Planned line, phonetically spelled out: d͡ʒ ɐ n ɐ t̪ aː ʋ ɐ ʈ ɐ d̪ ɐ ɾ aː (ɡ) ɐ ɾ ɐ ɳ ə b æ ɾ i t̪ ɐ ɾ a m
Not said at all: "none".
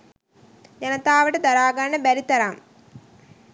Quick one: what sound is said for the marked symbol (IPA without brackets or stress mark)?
ɡ